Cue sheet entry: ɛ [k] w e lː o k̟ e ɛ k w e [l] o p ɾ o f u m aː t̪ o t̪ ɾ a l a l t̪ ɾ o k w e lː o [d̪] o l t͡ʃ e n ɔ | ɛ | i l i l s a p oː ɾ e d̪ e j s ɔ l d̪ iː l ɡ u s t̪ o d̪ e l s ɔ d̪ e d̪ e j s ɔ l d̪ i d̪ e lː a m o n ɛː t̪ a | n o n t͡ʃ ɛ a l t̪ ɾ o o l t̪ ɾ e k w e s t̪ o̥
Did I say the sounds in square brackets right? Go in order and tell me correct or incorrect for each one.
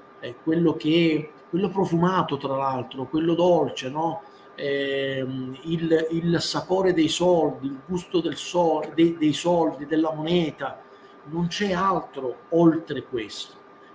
correct, incorrect: lː, correct

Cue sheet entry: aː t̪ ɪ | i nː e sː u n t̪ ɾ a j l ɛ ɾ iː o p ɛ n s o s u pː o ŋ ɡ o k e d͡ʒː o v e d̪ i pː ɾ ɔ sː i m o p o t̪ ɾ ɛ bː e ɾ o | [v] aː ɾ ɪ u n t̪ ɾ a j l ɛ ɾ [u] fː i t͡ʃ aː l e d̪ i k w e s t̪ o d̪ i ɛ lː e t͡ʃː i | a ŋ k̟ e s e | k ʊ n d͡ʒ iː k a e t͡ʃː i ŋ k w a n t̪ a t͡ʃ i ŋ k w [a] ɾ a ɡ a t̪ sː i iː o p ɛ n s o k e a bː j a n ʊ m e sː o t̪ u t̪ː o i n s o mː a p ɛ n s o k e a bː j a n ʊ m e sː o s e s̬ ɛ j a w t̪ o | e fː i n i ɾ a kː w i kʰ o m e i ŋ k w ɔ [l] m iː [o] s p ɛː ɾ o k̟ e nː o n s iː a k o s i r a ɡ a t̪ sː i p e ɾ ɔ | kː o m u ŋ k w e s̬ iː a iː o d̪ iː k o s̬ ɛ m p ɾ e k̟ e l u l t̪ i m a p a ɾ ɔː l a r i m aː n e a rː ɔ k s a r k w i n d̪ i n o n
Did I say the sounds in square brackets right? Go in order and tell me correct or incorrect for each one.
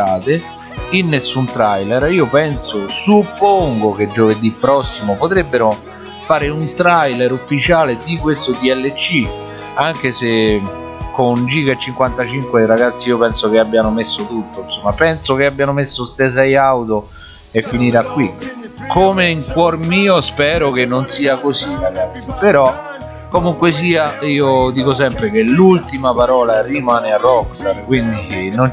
incorrect: f, correct, incorrect: e, incorrect: r, correct

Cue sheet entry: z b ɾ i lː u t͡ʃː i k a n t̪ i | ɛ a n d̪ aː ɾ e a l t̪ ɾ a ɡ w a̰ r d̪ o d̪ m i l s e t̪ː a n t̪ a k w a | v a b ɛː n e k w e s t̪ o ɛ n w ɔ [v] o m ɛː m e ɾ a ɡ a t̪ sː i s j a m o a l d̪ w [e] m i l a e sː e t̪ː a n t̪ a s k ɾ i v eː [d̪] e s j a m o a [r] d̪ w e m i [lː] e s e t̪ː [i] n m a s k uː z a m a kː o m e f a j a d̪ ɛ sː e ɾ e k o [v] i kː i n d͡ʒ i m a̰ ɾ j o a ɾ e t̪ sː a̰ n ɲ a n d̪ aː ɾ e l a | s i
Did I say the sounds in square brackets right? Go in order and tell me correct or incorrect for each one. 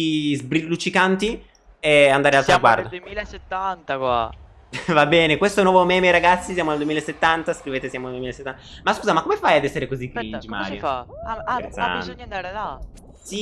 correct, correct, incorrect: t̪, incorrect: l, incorrect: l, incorrect: a, incorrect: z

